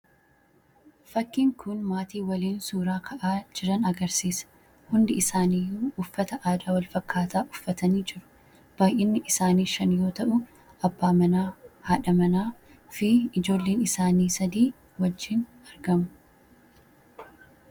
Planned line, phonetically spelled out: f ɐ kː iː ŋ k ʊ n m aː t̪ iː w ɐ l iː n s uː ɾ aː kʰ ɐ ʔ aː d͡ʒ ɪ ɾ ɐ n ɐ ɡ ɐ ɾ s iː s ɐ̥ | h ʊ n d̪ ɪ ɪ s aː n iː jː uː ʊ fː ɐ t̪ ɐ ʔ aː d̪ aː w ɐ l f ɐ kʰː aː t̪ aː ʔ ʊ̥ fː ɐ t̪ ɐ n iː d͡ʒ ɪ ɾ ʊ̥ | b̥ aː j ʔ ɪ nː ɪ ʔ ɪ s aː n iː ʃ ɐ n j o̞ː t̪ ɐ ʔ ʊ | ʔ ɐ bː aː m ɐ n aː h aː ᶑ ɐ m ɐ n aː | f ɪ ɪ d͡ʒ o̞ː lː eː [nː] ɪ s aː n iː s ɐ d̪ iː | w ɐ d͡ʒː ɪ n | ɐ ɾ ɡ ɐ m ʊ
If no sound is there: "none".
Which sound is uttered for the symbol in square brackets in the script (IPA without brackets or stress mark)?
n